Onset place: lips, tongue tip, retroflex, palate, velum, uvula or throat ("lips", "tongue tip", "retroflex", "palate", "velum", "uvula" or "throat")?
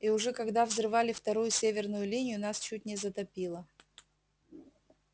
retroflex